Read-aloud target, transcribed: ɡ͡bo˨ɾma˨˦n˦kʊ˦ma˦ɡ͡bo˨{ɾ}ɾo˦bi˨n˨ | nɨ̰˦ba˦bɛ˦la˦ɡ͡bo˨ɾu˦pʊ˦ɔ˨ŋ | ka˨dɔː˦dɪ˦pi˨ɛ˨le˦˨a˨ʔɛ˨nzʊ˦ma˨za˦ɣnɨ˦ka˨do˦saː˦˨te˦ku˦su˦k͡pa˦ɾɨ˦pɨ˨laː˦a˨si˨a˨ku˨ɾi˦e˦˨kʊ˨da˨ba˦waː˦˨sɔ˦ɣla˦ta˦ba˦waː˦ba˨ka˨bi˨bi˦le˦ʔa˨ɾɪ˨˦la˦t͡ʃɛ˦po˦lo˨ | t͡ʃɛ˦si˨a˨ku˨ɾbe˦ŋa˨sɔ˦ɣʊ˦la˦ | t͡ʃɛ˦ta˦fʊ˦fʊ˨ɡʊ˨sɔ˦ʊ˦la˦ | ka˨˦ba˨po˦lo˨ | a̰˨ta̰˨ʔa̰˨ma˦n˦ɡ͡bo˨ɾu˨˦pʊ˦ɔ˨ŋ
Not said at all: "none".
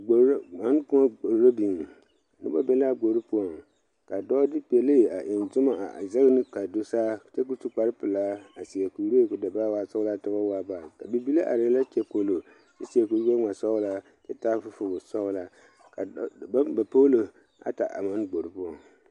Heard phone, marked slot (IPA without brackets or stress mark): ɾ